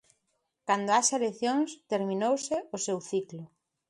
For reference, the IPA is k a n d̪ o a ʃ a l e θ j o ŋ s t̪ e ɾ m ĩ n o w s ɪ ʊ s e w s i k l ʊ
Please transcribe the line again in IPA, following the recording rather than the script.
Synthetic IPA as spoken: k a n d̪ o a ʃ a l e θ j o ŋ s t̪ e ɾ m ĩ n o w s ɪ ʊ s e w θ i k l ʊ